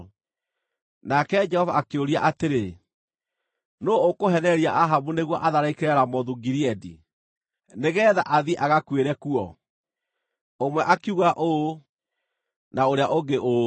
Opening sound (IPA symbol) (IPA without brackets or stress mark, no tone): n